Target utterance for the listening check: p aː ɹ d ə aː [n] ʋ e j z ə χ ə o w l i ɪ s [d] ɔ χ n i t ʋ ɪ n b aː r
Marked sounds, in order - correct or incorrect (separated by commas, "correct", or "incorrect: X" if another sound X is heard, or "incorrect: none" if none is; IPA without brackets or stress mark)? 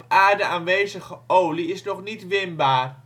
correct, incorrect: n